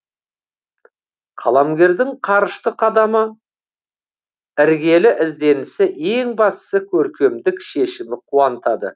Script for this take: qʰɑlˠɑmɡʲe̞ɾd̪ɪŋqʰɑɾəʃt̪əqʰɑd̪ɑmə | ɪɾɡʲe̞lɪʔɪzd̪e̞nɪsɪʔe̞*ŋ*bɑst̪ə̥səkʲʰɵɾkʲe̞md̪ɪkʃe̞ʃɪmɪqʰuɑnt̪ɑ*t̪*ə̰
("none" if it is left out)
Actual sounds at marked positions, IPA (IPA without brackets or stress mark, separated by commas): ŋ, d̪